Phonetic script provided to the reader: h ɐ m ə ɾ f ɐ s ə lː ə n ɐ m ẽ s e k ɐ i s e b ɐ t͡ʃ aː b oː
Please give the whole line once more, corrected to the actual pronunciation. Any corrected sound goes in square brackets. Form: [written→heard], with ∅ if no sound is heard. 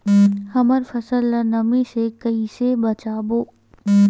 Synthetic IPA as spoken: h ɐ m ə ɾ f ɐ s ə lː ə n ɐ m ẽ s e k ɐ i s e b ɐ t͡ʃ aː b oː

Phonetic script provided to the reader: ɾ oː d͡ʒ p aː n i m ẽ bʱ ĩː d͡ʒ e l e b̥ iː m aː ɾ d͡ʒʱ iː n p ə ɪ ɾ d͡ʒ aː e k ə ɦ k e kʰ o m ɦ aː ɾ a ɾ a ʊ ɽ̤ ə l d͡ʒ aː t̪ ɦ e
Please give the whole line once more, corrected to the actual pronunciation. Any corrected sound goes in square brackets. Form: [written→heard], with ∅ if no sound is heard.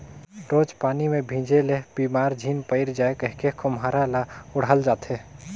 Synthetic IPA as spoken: ɾ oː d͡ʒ p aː n i m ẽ bʱ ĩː d͡ʒ e l e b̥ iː m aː ɾ d͡ʒʱ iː n p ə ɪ ɾ d͡ʒ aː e k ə ɦ k e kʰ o m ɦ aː ɾ a [ɾ→l] a ʊ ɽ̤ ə l d͡ʒ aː t̪ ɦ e

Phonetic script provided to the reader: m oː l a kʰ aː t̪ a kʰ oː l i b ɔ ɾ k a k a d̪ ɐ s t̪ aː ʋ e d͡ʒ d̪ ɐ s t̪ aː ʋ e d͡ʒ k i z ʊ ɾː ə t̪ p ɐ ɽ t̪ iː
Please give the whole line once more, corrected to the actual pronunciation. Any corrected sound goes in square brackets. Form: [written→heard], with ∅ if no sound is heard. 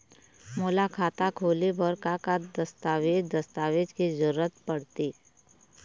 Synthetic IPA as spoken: m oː l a kʰ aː t̪ a kʰ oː l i b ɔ ɾ k a k a d̪ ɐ s t̪ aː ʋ e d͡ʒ d̪ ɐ s t̪ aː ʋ e d͡ʒ k i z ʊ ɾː ə t̪ p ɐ ɽ t̪ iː

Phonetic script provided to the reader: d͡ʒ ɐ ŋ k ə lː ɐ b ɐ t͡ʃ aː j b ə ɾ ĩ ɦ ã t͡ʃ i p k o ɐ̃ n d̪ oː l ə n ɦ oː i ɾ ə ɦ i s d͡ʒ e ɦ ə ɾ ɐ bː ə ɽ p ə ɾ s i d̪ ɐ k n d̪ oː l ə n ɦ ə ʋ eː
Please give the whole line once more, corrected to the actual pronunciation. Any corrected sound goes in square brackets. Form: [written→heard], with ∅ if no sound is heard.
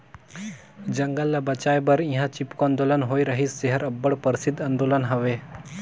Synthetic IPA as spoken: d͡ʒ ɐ ŋ [k→ɡ] ə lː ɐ b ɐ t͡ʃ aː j b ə ɾ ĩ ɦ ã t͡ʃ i p k o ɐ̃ n d̪ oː l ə n ɦ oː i ɾ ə ɦ i s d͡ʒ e ɦ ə ɾ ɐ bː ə ɽ p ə ɾ s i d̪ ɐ [k→∅] n d̪ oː l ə n ɦ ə ʋ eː

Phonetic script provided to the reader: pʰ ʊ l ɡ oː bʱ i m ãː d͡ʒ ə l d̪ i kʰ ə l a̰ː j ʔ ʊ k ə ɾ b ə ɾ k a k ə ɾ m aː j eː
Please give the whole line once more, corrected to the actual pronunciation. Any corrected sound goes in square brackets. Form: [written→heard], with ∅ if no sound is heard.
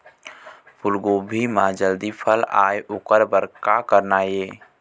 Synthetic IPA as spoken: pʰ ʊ l ɡ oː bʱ i m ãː d͡ʒ ə l d̪ i [kʰ→pʰ] ə l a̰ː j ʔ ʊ k ə ɾ b ə ɾ k a k ə ɾ [m→n] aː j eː

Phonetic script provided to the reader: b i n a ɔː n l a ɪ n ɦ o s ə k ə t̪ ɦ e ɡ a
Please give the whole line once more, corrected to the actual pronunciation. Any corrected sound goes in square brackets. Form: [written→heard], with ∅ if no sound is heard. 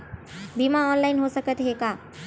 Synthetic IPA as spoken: b i [n→m] a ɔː n l a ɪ n ɦ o s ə k ə t̪ ɦ e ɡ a

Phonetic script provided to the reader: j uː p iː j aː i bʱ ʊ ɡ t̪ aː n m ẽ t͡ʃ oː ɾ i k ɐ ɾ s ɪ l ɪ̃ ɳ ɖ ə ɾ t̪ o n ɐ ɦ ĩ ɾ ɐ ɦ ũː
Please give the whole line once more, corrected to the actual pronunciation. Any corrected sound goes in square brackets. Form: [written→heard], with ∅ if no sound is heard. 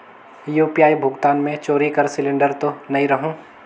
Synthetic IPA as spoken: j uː p [iː→i] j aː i bʱ ʊ ɡ t̪ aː n m ẽ t͡ʃ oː ɾ i k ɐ ɾ s ɪ l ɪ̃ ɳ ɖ ə ɾ t̪ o n ɐ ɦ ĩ ɾ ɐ ɦ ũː

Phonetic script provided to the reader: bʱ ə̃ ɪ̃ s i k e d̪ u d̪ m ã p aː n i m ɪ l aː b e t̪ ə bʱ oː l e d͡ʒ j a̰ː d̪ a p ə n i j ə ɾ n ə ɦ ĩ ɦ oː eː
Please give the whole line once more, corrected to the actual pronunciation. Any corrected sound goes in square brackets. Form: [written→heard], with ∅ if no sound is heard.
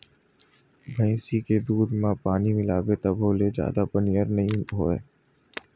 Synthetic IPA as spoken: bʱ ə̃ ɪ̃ s i k e d̪ [u→uː] d̪ m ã p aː n i m ɪ l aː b e t̪ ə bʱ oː l e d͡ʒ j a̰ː d̪ a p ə n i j ə ɾ n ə ɦ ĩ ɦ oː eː

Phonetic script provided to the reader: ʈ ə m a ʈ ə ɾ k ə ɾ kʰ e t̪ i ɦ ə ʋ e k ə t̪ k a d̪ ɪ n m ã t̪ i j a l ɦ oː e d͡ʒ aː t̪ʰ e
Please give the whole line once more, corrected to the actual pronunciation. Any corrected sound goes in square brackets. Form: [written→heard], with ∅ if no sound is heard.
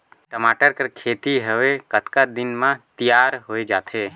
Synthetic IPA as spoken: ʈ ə m a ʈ ə ɾ k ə ɾ kʰ e t̪ i ɦ ə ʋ e k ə t̪ k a d̪ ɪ n m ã t̪ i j a [l→ɾ] ɦ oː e d͡ʒ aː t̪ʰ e

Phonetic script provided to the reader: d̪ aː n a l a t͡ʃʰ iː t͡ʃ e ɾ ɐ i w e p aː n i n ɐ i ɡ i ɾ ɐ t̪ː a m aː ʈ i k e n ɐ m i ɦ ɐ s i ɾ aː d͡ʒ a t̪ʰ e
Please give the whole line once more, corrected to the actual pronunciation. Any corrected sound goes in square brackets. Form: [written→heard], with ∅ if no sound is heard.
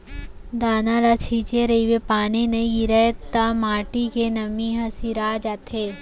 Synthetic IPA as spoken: d̪ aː n a l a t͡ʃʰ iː t͡ʃ e ɾ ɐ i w e p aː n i n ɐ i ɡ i ɾ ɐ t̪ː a m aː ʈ i k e n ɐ m i ɦ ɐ s i ɾ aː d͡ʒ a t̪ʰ e

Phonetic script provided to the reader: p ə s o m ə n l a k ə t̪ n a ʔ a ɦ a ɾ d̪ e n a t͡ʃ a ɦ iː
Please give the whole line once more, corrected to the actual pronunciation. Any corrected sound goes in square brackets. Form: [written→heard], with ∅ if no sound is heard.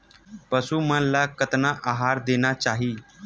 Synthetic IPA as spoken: p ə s [o→u] m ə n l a k ə t̪ n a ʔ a ɦ a ɾ d̪ e n a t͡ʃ a ɦ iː

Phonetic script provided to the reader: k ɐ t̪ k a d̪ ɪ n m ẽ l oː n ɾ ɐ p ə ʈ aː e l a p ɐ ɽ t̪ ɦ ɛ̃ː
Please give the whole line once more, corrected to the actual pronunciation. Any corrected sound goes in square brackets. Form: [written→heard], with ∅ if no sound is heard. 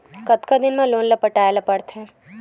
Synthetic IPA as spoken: k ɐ t̪ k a d̪ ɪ n m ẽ l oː n [ɾ→l] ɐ p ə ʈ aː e l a p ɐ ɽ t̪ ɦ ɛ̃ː

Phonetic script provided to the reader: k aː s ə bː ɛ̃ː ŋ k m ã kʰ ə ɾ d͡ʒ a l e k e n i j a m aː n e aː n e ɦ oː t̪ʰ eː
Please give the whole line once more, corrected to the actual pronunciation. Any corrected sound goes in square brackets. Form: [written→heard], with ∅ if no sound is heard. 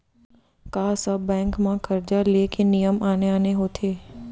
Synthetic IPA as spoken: k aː s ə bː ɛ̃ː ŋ k m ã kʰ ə ɾ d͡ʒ a l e k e n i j [a→ə] m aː n e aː n e ɦ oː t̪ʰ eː

